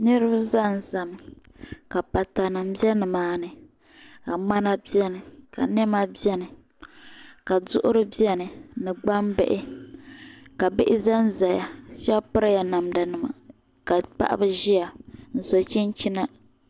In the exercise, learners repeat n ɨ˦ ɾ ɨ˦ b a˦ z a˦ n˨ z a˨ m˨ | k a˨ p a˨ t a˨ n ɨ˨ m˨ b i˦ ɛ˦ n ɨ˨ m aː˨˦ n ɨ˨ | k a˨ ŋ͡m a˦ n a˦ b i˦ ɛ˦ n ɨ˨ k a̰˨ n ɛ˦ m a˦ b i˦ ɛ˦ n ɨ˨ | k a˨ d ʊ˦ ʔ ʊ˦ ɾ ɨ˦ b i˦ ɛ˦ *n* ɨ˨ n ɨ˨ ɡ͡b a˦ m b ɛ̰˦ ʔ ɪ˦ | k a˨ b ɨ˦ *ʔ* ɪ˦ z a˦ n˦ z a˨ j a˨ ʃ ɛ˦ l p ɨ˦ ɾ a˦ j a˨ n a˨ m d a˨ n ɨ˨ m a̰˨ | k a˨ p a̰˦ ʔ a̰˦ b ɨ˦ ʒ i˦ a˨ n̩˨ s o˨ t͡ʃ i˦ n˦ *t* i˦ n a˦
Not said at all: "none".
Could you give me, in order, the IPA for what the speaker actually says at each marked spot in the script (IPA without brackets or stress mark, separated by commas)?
n, ʔ, t͡ʃ